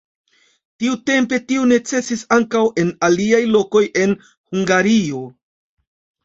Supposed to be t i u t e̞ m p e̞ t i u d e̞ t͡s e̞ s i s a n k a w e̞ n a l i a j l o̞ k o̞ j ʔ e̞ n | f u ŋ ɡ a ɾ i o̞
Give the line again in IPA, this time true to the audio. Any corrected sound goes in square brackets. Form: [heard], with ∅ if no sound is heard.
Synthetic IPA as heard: t i u t e̞ m p e̞ t i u [n] e̞ t͡s e̞ s i s a [ŋ] k a w e̞ n a l i a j l o̞ k o̞ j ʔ e̞ n | [h] u ŋ ɡ a ɾ i o̞